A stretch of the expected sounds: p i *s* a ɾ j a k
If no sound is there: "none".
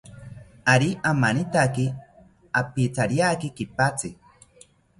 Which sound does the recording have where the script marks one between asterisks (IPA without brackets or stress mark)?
t͡s